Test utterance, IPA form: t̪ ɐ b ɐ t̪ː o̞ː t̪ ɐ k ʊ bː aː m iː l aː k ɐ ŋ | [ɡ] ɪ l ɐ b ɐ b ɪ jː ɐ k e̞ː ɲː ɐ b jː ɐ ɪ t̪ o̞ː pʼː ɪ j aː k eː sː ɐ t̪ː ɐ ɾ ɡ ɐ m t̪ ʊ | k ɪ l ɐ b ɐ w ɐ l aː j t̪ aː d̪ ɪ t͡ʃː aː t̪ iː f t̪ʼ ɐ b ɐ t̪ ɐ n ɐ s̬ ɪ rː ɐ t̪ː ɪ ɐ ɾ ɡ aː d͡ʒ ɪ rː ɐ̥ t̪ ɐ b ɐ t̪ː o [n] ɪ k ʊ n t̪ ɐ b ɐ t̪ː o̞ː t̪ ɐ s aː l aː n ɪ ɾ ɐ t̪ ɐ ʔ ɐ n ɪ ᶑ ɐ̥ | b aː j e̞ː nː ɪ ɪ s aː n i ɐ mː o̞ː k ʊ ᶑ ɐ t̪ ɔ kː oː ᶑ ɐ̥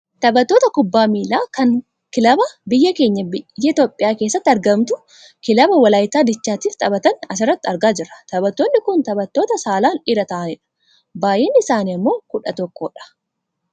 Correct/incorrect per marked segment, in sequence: incorrect: k, incorrect: nː

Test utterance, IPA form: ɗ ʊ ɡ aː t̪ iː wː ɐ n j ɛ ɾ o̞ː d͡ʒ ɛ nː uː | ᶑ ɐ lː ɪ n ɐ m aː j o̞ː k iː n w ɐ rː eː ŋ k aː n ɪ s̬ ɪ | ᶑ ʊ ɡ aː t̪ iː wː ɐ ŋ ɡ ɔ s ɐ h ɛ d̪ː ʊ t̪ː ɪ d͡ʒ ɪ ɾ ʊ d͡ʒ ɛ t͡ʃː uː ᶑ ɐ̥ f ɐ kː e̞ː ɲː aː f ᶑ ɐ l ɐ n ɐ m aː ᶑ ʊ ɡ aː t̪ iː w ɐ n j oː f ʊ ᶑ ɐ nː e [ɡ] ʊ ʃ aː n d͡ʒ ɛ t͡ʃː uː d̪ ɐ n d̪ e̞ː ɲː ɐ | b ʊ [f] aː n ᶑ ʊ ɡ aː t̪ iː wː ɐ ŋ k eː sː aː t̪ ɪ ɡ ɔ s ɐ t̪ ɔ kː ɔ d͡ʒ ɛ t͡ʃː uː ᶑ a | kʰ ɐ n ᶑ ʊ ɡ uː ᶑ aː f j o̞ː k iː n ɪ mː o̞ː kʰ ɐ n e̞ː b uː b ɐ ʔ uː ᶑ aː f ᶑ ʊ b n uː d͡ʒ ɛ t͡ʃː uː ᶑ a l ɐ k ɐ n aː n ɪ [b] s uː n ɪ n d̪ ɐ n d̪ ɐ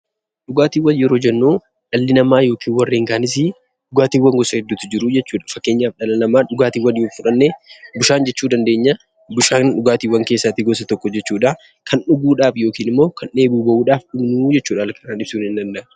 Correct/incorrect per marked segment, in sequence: incorrect: b, incorrect: ʃ, correct

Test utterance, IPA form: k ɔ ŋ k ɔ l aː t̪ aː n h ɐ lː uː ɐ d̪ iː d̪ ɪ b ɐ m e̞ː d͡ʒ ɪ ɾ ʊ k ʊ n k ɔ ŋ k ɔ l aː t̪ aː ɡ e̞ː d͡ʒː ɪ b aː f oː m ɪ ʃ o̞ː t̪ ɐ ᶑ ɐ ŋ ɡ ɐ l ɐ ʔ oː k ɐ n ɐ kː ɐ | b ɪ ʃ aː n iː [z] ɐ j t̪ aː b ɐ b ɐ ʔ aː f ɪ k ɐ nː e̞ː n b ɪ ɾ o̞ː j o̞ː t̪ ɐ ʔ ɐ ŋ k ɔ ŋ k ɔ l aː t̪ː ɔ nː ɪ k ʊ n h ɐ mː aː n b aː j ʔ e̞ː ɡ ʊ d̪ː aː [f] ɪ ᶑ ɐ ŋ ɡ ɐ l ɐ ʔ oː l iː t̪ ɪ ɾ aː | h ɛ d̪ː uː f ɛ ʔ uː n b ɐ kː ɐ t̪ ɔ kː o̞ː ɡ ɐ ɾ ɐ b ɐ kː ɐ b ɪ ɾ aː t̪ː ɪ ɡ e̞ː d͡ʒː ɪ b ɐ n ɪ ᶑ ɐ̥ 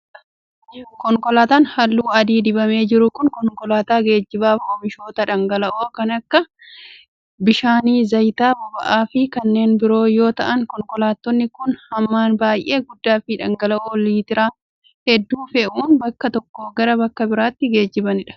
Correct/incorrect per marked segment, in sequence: correct, correct

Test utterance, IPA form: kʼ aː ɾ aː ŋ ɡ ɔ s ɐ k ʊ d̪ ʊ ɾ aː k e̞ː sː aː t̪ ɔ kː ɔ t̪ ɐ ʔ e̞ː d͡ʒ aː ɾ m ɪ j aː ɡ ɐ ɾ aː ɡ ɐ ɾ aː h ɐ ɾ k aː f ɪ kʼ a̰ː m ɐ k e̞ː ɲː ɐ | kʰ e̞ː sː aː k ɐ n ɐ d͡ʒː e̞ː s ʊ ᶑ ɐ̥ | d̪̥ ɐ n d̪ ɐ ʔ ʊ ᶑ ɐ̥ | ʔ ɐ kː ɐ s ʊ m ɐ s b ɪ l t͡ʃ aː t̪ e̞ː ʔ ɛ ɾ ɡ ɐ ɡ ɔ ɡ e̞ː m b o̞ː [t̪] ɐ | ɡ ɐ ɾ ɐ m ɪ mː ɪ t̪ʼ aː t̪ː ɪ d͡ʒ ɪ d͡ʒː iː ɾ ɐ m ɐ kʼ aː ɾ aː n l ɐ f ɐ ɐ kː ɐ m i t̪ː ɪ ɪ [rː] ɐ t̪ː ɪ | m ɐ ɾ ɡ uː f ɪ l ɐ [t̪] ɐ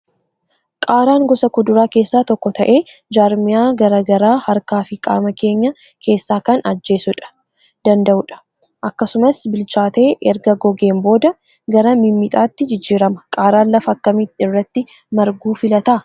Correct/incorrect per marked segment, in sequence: incorrect: d̪, correct, correct

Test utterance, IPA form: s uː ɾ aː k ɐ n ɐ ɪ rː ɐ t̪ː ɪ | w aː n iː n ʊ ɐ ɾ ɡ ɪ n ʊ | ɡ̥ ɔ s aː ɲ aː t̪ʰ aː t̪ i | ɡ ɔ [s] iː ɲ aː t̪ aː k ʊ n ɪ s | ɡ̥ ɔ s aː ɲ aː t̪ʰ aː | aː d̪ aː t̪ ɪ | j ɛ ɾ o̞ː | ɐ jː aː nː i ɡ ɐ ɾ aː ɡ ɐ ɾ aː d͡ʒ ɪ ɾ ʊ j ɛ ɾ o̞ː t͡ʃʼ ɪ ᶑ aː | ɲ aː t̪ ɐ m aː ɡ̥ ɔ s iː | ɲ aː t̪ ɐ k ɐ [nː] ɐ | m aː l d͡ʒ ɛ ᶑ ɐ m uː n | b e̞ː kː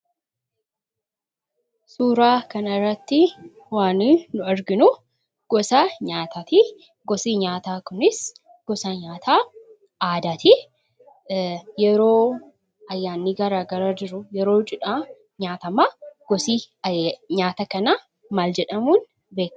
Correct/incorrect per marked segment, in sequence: correct, incorrect: n

